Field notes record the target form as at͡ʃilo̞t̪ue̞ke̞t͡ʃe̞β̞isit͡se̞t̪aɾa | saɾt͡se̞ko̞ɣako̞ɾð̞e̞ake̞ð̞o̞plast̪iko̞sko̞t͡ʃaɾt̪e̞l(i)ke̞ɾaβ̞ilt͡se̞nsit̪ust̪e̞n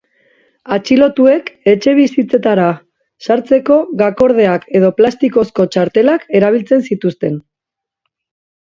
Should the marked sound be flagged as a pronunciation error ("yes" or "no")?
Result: yes